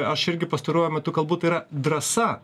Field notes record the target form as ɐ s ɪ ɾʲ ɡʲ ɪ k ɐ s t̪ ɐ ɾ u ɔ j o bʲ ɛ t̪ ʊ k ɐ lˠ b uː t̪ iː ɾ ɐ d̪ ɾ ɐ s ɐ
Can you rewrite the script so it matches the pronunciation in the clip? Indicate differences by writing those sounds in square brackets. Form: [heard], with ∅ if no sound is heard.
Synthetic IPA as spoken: ɐ [ʃ] ɪ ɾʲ ɡʲ ɪ [p] ɐ s t̪ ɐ ɾ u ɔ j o [mʲ] ɛ t̪ ʊ k ɐ lˠ b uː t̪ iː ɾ ɐ d̪ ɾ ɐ s ɐ